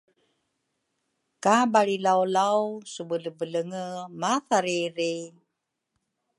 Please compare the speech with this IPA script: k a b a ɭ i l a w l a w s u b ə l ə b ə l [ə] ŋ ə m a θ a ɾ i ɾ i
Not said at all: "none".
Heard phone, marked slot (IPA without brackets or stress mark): ə